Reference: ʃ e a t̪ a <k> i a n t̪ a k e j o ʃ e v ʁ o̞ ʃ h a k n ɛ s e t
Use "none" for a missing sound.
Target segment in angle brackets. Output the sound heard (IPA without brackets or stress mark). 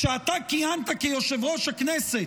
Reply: k